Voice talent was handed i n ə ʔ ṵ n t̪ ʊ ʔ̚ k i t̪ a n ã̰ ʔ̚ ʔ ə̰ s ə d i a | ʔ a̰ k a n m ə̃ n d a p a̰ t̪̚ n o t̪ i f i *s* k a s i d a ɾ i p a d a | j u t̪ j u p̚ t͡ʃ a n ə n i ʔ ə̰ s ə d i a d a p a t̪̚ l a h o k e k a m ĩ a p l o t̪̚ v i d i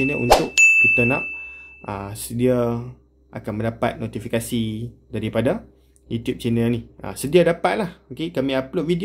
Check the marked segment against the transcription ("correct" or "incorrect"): incorrect